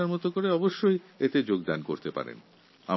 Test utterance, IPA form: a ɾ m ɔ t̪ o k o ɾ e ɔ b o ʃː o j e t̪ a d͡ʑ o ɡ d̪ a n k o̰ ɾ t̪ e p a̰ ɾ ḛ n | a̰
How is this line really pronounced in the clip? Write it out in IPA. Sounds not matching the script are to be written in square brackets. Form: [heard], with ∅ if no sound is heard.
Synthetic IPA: a ɾ m ɔ t̪ o k o ɾ e ɔ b o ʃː o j e t̪ [e] d͡ʑ o ɡ d̪ a n k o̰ ɾ t̪ e p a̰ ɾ ḛ n | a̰